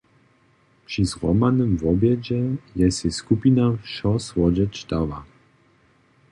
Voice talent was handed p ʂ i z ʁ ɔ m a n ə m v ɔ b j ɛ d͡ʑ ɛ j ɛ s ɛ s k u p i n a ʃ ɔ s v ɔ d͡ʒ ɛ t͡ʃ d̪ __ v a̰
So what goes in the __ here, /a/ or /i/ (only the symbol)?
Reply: a